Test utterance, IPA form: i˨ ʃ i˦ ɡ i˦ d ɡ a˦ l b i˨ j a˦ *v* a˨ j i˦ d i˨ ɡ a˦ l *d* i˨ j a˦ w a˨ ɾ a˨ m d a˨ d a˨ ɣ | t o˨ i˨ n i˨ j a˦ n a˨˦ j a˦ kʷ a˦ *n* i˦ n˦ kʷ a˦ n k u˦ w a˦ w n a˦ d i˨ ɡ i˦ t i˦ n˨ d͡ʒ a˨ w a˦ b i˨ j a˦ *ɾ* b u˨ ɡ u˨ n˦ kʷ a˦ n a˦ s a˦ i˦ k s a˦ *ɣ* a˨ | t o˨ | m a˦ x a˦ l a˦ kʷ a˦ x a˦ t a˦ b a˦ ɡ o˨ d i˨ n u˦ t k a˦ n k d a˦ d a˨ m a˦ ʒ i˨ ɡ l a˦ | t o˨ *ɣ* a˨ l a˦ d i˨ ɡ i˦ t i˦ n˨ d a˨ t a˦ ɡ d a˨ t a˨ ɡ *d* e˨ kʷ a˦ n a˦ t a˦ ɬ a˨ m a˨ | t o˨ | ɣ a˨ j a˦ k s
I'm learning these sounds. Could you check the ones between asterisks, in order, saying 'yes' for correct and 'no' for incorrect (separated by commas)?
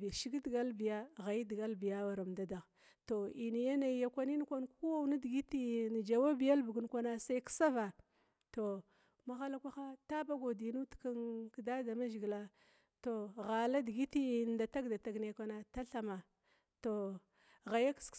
no, no, yes, no, no, yes, no